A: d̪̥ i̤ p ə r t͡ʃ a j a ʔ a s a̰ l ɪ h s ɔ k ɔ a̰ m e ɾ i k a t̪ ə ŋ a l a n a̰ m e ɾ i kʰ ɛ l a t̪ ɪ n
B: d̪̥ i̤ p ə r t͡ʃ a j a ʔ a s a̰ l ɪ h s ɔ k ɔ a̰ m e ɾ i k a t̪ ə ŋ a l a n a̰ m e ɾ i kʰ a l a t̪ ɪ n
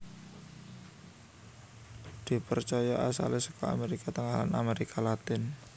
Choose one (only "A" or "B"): B